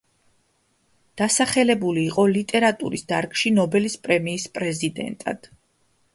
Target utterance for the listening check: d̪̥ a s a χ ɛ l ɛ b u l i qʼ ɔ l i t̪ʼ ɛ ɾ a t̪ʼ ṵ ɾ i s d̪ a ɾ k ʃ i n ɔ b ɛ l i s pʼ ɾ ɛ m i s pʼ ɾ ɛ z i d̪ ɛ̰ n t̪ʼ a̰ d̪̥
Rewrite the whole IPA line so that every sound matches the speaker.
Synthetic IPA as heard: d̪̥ a s a χ ɛ l ɛ b u l iː qʼ ɔ l i t̪ʼ ɛ ɾ a t̪ʼ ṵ ɾ i s d̪ a ɾ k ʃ i n ɔ b ɛ l i s pʼ ɾ ɛ m iː s pʼ ɾ ɛ z i d̪ ɛ̰ n t̪ʼ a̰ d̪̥